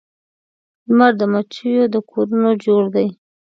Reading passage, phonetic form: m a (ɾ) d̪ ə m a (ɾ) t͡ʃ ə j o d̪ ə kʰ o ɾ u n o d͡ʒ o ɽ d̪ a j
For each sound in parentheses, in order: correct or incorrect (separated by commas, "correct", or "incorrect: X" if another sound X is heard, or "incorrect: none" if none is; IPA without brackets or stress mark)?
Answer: correct, incorrect: none